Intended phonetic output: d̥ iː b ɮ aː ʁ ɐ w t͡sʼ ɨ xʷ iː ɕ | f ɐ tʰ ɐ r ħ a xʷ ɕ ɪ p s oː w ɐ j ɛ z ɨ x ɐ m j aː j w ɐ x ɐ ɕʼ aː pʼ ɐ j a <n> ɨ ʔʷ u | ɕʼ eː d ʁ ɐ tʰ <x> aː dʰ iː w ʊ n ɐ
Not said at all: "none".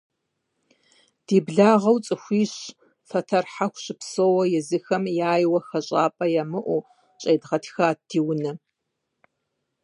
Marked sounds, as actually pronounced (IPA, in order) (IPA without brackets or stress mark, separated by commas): m, x